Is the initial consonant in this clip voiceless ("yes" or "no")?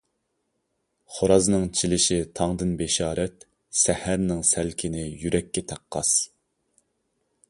yes